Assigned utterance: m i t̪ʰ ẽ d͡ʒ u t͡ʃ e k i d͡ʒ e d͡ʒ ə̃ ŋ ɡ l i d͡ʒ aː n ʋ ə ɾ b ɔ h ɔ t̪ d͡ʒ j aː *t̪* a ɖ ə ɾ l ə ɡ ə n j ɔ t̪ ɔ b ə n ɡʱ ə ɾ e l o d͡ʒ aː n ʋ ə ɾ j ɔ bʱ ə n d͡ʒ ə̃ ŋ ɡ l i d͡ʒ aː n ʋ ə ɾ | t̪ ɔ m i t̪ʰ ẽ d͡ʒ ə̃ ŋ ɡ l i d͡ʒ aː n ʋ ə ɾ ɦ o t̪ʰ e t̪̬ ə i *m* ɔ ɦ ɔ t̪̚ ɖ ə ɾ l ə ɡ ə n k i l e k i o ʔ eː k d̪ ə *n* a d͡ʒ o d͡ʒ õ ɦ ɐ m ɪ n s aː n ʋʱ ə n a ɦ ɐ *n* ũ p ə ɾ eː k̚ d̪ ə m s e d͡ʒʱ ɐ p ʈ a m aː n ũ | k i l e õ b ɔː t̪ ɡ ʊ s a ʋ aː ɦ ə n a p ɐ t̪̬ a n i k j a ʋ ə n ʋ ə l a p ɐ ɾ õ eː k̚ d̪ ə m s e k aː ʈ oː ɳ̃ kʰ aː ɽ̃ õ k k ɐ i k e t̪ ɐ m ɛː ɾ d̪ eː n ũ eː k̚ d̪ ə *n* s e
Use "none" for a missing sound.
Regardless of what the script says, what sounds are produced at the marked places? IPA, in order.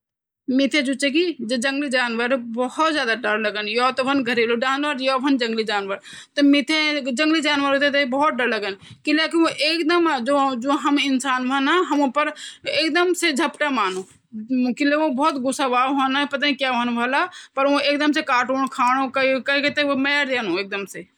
d̪, b, m, m, m

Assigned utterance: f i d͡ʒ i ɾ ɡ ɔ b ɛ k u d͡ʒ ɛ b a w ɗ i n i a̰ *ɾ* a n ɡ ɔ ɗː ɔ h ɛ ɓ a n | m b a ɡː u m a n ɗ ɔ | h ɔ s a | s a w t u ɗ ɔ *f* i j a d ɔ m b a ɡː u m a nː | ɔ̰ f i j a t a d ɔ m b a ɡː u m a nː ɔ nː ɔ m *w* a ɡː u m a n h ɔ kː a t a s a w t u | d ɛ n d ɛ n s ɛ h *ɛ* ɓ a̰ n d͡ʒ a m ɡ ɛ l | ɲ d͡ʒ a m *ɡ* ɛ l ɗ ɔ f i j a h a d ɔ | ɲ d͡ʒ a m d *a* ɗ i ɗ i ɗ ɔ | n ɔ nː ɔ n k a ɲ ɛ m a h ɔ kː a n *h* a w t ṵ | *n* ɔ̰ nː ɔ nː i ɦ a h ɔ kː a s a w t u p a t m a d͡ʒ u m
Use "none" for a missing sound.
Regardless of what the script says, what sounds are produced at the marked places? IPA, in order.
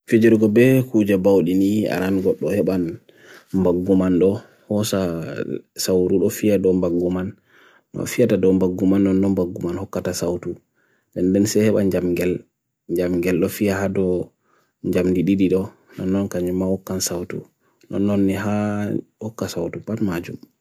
ɾ, f, b, ɛ, ɡ, i, s, n

